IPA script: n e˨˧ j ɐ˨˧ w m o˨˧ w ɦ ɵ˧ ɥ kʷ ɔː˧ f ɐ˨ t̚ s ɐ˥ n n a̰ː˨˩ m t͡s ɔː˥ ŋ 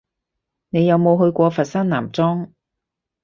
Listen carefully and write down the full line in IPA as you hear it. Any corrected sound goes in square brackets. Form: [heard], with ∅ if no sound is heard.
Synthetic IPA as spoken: n e˨˧ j ɐ˨˧ w m o˨˧ w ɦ ɵ˧ ɥ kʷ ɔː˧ f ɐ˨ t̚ s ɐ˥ n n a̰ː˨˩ m t͡s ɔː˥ ŋ